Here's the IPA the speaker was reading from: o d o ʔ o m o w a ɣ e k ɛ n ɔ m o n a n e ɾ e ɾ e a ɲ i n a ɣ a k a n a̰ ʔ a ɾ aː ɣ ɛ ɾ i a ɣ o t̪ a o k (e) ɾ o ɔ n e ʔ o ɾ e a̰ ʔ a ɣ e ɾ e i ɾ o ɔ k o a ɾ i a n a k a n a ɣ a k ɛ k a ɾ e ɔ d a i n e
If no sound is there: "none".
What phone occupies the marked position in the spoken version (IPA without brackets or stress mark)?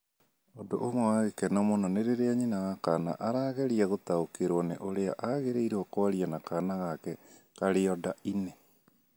e